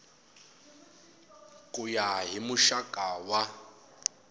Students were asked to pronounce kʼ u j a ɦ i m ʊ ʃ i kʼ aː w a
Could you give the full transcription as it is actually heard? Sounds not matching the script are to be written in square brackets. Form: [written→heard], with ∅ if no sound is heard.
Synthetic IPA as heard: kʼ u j a ɦ i m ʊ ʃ [i→a] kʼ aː w a